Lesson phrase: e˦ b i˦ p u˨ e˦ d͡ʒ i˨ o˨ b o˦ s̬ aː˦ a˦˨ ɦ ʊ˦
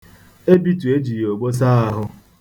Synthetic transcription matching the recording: e˦ b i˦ t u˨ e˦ d͡ʒ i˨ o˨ ɡ͡b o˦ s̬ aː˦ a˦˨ ɦ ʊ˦